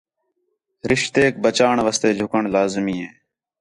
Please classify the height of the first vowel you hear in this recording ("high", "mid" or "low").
high